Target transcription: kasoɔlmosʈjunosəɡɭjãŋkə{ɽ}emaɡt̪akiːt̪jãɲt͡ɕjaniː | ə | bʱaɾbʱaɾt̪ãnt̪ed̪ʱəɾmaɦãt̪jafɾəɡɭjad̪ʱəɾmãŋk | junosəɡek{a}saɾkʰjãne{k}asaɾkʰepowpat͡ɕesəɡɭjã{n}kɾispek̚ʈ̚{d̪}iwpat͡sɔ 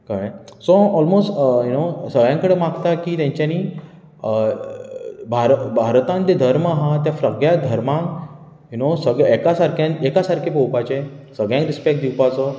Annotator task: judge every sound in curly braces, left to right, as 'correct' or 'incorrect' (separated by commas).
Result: correct, correct, correct, incorrect, correct